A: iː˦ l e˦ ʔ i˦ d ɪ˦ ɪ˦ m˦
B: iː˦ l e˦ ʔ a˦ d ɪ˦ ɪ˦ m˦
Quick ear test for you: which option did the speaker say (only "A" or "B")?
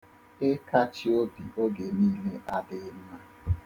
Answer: B